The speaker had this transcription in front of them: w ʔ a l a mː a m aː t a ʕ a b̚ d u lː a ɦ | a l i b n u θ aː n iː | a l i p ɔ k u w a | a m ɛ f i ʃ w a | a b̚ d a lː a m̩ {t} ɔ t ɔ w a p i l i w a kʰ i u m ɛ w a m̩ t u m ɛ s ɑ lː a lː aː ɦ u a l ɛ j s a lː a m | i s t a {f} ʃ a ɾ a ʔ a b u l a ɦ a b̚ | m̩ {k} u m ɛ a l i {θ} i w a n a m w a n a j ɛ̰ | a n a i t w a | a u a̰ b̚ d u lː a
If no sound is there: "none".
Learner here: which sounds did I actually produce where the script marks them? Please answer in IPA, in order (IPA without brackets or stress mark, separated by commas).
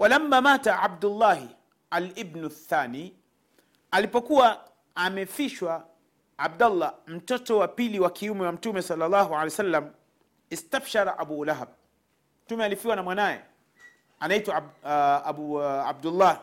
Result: t, f, t, f